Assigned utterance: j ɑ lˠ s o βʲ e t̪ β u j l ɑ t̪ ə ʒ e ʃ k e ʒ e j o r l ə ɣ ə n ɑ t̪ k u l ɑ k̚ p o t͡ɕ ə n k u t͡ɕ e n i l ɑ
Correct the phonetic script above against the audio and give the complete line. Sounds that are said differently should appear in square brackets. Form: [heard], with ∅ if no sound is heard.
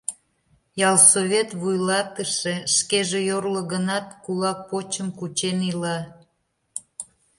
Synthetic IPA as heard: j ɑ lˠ s o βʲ e t̪ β u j l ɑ t̪ ə [ʃ] e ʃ k e ʒ e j o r l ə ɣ ə n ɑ t̪ k u l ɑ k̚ p o t͡ɕ ə [m] k u t͡ɕ e n i l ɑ

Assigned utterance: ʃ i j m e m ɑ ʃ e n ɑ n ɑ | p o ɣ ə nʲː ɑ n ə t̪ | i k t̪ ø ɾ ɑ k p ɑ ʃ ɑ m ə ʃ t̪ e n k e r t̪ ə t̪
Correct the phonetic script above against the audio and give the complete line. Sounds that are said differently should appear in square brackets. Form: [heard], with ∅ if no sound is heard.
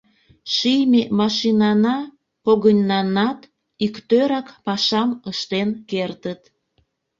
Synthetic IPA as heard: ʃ i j m e m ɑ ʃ [i] n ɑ n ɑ | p o ɣ ə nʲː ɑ n [ɑ] t̪ | i k t̪ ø ɾ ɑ k p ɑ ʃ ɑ m ə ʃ t̪ e n k e r t̪ ə t̪

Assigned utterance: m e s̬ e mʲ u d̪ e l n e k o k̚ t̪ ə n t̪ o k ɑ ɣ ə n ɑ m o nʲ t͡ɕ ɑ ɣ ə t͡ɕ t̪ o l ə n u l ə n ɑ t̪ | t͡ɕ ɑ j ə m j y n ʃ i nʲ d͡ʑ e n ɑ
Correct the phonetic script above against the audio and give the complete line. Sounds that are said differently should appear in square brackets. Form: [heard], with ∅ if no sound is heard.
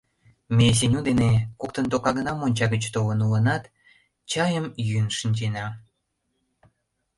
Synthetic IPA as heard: m e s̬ e [nʲ] u d̪ e [∅] n e k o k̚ t̪ ə n t̪ o k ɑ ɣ ə n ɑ m o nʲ t͡ɕ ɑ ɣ ə t͡ɕ t̪ o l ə n u l ə n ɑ t̪ | t͡ɕ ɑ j ə m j y n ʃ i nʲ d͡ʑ e n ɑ

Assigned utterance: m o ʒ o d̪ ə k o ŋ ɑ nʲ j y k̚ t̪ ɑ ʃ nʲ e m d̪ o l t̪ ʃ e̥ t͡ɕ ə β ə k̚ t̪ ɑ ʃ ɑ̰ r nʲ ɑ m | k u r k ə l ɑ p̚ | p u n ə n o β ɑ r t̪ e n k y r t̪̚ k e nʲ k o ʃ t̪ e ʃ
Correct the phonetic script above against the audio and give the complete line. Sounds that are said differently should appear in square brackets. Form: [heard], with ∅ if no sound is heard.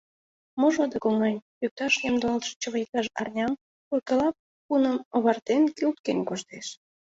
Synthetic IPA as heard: m o ʒ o d̪ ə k o ŋ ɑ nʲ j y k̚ t̪ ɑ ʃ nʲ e m d̪ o l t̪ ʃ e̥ t͡ɕ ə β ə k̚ t̪ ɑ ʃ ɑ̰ r nʲ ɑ m | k u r k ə l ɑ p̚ | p u n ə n o β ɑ r t̪ e n k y [l] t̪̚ k e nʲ k o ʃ t̪ e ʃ

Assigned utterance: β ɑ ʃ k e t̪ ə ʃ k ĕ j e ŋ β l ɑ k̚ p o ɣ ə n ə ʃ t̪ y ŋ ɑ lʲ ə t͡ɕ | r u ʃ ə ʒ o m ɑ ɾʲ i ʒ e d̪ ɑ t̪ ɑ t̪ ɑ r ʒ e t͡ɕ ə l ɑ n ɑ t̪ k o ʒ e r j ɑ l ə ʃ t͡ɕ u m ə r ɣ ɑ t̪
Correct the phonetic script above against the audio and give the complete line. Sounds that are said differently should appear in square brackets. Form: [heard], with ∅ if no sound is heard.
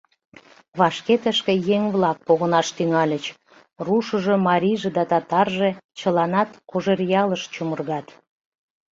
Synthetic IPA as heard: β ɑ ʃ k e t̪ ə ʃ k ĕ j e ŋ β l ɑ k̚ p o ɣ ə n [ɑ] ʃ t̪ y ŋ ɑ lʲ ə t͡ɕ | r u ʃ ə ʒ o m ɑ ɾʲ i ʒ e d̪ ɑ t̪ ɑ t̪ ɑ r ʒ e t͡ɕ ə l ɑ n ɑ t̪ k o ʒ e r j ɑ l ə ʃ t͡ɕ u m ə r ɣ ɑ t̪

